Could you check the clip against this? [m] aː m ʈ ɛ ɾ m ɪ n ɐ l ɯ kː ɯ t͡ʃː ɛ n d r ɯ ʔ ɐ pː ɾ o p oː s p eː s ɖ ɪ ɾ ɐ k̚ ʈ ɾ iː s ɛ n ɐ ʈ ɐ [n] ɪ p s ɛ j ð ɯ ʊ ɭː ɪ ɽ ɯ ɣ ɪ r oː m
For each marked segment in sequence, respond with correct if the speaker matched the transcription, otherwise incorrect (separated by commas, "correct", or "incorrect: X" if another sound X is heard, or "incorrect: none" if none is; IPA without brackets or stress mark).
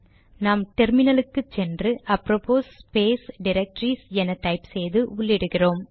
incorrect: n, incorrect: none